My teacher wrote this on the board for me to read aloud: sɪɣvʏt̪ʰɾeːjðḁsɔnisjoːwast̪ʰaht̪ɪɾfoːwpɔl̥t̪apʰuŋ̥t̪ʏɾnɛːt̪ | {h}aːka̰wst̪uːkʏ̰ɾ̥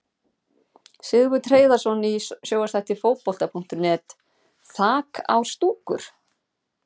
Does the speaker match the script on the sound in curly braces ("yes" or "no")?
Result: no